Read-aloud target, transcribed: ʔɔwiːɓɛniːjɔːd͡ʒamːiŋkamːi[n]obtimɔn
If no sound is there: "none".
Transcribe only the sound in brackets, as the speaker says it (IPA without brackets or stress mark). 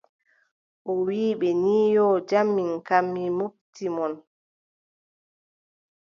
m